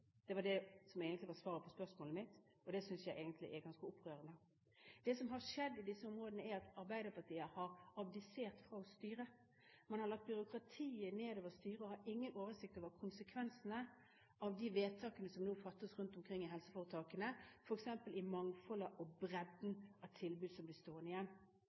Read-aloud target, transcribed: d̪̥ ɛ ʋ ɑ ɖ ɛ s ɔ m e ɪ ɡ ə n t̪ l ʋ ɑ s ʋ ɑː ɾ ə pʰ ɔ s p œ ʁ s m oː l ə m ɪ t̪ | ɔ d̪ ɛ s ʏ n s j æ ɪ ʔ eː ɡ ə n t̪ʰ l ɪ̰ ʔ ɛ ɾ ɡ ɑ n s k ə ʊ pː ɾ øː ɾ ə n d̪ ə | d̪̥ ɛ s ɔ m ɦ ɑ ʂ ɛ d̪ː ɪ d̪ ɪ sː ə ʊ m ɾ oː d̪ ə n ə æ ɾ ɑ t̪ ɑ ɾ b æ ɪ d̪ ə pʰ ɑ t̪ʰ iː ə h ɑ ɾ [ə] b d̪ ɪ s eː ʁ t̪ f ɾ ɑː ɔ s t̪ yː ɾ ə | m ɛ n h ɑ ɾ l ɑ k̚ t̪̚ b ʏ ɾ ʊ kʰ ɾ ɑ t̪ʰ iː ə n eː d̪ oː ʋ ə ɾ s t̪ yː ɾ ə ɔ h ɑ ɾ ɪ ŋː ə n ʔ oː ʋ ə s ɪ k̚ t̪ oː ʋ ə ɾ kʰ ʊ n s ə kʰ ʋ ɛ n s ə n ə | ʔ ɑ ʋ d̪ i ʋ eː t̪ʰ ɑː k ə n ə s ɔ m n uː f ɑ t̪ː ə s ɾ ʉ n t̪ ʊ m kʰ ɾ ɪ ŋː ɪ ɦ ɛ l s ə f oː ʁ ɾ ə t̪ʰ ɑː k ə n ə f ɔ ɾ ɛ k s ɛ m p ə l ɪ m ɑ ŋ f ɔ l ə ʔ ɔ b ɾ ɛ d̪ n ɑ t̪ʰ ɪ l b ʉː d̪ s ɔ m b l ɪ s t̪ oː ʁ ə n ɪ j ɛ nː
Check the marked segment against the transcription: incorrect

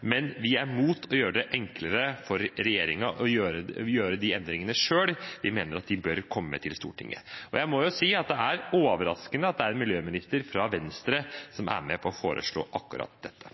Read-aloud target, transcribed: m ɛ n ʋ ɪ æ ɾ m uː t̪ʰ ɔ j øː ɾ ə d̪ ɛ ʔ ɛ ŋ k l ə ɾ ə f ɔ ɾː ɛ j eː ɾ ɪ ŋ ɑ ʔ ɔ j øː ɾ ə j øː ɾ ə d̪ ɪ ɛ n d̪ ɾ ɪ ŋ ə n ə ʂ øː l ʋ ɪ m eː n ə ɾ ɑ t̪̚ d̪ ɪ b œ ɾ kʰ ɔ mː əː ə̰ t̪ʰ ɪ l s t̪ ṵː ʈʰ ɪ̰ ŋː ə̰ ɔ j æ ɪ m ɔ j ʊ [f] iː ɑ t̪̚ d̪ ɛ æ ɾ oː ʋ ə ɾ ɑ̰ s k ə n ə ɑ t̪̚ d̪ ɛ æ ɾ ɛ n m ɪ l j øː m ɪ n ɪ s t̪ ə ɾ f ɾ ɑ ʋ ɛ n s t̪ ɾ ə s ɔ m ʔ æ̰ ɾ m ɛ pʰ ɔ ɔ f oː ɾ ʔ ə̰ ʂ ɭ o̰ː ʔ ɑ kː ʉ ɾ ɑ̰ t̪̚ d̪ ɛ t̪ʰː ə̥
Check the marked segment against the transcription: incorrect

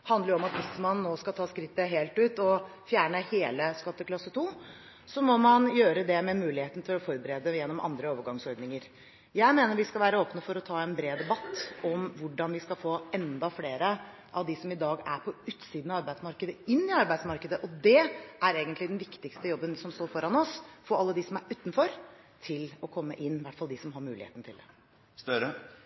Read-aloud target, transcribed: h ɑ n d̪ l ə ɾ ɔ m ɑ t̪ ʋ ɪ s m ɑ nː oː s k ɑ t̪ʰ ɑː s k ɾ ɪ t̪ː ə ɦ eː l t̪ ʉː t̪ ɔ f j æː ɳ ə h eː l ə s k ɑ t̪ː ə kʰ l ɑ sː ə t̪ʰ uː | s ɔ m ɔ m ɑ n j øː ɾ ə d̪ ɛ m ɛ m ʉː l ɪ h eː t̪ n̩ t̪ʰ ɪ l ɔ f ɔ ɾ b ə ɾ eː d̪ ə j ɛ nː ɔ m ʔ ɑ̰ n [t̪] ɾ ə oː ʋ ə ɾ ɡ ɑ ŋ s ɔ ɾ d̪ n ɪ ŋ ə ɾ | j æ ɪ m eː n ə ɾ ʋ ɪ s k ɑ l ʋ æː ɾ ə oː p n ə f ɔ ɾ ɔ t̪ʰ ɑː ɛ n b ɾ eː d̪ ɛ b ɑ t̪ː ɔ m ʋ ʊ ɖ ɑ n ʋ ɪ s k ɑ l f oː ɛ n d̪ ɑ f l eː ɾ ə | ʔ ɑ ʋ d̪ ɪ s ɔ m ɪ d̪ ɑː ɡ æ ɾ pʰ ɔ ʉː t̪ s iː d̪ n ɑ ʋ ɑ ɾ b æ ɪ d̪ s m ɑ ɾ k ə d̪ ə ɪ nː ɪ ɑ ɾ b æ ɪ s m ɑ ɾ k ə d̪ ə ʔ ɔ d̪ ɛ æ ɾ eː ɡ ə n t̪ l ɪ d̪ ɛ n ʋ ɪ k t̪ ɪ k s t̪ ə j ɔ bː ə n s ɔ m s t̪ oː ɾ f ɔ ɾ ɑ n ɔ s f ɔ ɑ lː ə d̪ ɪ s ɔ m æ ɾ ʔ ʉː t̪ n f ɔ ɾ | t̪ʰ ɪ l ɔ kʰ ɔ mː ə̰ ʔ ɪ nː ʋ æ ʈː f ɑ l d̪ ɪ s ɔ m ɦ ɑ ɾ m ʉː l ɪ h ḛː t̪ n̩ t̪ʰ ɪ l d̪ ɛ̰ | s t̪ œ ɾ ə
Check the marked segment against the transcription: incorrect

